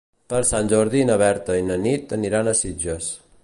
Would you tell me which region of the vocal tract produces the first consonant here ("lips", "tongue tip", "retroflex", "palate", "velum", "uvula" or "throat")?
lips